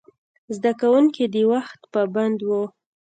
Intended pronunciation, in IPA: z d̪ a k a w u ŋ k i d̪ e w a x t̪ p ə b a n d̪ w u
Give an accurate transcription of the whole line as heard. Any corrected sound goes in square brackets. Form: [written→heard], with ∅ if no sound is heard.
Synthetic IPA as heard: z d̪ a k a w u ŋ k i d̪ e w a x t̪ p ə b a n d̪ w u